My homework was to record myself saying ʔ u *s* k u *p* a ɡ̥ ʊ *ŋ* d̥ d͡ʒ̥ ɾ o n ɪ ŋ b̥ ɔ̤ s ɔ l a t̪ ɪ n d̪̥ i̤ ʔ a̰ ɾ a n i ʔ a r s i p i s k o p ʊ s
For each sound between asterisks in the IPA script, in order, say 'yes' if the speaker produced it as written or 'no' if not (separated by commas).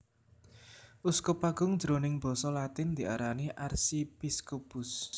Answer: yes, yes, yes